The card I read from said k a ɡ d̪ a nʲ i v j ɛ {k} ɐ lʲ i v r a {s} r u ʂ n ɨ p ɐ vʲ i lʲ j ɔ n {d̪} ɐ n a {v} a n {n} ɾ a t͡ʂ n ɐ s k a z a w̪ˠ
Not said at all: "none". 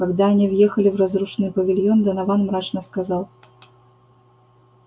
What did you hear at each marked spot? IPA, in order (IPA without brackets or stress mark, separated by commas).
x, z, d̪, v, m